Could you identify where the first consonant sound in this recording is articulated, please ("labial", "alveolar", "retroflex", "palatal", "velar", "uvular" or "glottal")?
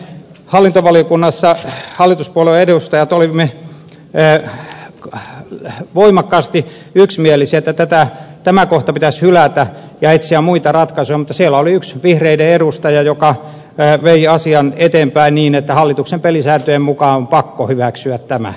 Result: glottal